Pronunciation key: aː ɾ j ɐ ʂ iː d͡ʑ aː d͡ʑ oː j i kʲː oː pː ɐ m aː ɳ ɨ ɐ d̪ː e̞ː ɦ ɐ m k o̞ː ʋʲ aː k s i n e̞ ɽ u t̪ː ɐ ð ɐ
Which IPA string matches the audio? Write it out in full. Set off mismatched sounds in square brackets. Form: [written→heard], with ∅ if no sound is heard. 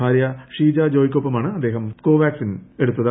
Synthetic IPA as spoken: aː ɾ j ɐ ʂ iː d͡ʑ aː d͡ʑ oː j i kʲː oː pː ɐ m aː ɳ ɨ ɐ d̪ː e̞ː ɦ ɐ m k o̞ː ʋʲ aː k s i n e̞ ɽ u t̪ː ɐ ð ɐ